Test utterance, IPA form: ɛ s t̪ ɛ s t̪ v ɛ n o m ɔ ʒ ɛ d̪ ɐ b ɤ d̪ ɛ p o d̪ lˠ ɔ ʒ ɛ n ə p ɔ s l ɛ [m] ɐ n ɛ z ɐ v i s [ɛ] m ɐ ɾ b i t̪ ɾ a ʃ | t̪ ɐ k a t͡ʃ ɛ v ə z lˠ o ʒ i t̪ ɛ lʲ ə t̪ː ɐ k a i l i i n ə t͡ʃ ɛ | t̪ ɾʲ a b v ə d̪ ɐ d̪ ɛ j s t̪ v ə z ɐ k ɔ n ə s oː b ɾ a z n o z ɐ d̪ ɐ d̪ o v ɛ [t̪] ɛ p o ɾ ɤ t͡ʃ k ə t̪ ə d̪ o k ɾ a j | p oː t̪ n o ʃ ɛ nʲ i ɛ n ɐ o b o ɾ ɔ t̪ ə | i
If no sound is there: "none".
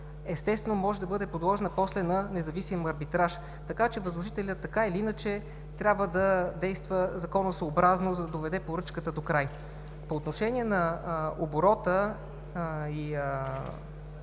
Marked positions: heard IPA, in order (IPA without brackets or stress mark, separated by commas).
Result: n, i, d̪